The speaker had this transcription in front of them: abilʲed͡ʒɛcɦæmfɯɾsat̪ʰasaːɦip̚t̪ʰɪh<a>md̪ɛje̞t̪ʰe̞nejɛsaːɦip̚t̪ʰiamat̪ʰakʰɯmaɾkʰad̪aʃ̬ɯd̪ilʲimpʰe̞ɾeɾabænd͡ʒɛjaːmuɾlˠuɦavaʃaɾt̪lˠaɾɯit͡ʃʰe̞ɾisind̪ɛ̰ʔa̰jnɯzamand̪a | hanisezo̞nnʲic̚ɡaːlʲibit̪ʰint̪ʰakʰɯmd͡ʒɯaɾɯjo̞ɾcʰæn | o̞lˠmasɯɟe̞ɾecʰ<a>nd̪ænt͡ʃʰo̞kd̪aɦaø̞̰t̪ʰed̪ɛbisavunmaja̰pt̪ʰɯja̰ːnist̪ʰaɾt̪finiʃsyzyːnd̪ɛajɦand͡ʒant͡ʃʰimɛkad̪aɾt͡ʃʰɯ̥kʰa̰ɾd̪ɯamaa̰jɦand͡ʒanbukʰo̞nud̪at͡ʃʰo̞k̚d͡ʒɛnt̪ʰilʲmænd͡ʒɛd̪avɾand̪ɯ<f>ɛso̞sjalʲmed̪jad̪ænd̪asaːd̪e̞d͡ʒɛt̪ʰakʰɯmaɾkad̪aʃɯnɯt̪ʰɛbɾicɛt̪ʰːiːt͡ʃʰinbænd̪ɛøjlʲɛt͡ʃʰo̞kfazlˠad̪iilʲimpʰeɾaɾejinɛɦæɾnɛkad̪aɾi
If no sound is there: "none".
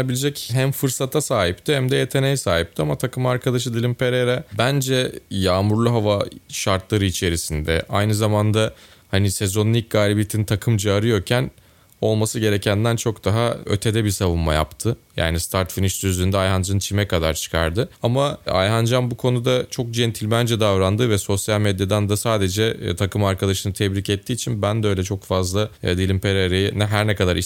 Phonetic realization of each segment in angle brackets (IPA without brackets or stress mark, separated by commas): æ, æ, v